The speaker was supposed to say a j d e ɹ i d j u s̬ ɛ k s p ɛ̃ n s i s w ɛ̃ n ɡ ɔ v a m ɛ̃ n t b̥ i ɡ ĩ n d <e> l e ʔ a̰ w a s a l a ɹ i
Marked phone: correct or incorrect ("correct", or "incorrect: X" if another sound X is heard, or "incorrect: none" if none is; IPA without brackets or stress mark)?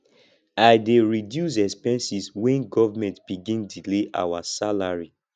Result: incorrect: i